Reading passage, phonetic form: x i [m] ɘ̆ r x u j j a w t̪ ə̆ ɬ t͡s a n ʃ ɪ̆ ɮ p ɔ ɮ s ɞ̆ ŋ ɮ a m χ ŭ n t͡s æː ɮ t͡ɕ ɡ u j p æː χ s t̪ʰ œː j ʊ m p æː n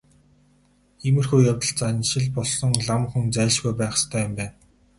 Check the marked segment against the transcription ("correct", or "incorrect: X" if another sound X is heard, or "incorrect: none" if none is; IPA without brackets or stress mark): correct